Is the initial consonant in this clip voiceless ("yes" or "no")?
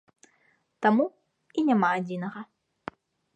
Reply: yes